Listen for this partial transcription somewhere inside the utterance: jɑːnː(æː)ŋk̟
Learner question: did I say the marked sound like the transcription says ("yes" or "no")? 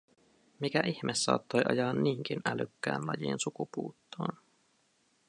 no